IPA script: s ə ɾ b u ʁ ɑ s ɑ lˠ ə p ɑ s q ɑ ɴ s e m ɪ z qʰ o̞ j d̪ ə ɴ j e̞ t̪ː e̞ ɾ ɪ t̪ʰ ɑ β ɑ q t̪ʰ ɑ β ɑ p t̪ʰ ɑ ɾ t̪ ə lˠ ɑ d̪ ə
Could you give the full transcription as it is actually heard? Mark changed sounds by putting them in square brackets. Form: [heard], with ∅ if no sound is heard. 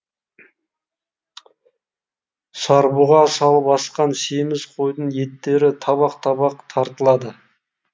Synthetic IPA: s [ɑ] ɾ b u ʁ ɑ s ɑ lˠ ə p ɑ s q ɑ [n] s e m ɪ z qʰ o̞ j d̪ ə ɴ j e̞ t̪ː e̞ ɾ ɪ t̪ʰ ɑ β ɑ q t̪ʰ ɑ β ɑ [q] t̪ʰ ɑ ɾ t̪ ə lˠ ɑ d̪ ə